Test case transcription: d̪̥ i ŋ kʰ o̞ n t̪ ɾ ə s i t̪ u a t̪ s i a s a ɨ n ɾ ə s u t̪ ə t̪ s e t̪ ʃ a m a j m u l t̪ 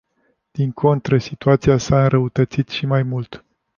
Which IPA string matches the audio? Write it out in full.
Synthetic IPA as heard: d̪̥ i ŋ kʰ o̞ n t̪ ɾ ə s i t̪ u a t̪ s i a s a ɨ n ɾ ə u t̪ ə t̪ s i t̪ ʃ i m a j m u l t̪